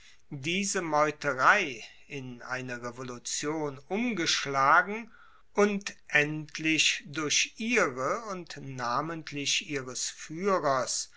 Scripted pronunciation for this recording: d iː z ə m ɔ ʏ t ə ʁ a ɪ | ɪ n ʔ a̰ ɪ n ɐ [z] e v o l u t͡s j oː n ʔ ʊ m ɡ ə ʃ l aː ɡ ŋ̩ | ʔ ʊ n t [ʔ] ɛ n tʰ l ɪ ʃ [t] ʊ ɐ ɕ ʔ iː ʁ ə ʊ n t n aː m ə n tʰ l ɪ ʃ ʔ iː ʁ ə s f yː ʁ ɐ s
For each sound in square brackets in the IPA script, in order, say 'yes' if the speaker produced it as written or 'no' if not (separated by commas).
no, yes, no